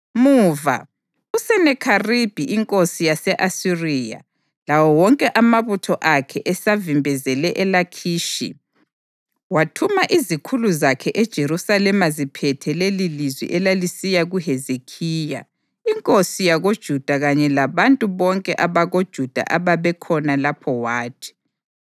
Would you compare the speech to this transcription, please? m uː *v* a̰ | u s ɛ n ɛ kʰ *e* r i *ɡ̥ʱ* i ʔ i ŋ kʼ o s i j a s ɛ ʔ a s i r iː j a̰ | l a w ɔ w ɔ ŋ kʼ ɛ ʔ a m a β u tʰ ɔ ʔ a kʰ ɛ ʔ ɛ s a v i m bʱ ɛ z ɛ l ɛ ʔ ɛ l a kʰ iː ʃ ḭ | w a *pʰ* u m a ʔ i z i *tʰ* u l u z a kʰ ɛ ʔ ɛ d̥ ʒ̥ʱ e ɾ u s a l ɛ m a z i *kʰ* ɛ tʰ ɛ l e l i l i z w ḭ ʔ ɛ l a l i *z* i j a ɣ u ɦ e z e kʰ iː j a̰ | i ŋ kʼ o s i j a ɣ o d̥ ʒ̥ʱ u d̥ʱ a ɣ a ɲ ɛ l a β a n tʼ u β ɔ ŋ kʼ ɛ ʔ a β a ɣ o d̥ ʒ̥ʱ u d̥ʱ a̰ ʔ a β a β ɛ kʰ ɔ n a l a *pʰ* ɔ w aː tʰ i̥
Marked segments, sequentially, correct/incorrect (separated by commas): correct, incorrect, incorrect, incorrect, incorrect, incorrect, incorrect, correct